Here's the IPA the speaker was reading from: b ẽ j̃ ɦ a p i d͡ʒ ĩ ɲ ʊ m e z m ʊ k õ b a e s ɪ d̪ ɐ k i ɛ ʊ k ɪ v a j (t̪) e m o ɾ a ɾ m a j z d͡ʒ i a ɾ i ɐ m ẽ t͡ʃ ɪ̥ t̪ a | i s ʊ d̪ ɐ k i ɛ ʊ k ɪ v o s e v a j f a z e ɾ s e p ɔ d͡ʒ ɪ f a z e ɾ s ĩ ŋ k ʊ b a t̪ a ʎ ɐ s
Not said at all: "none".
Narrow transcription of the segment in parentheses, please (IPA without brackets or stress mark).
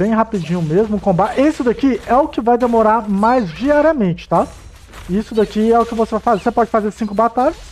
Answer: d̪